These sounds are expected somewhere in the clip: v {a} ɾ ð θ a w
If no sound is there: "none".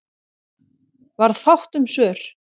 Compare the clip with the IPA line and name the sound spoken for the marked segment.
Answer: a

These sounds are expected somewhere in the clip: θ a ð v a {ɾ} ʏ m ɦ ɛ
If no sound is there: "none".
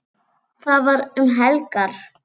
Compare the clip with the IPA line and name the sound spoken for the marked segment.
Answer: ɾ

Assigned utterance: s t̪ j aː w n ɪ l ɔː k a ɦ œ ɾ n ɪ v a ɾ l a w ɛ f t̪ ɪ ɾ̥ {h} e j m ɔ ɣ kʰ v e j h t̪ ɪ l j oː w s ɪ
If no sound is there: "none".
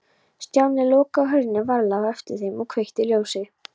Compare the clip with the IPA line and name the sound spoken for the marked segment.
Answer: θ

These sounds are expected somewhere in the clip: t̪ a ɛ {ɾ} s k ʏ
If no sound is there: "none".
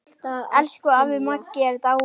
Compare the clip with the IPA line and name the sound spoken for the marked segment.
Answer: l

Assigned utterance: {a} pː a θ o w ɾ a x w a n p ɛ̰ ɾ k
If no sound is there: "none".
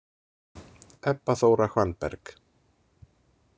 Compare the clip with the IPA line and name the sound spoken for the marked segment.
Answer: ɛ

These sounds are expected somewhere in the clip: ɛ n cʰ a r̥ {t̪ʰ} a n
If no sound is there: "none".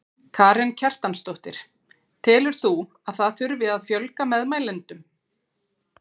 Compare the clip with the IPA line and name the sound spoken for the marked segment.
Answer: t̪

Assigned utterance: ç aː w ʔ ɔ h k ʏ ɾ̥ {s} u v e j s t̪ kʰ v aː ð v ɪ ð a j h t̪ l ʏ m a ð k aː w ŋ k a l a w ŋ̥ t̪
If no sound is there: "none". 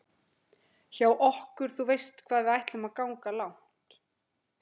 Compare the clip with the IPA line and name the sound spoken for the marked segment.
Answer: θ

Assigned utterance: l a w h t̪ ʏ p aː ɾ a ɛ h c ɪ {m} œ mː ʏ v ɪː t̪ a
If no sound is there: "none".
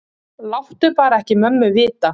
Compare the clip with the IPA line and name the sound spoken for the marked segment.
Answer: m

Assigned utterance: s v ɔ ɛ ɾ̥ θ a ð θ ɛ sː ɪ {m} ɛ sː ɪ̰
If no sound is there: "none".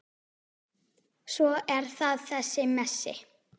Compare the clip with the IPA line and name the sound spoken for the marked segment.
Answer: m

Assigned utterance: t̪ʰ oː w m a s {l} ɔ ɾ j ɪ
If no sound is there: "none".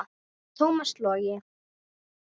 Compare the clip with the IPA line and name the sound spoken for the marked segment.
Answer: l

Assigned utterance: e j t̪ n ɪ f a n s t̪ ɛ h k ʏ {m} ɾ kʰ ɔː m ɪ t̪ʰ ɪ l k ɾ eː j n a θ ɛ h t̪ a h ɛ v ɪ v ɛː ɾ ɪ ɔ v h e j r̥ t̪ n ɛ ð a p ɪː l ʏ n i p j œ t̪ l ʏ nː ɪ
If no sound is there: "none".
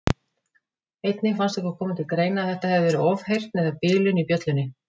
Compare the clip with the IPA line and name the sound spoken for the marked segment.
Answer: none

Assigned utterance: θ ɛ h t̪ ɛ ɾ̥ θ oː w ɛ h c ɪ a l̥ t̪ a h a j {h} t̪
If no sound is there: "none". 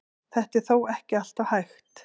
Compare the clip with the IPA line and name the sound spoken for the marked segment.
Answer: x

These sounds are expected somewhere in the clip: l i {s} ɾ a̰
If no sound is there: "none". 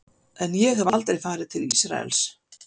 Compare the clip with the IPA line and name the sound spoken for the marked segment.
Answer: s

